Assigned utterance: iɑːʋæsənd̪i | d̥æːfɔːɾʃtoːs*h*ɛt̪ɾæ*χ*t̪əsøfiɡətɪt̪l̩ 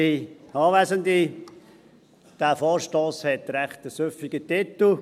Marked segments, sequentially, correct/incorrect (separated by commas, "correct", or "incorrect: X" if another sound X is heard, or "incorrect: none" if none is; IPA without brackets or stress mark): correct, correct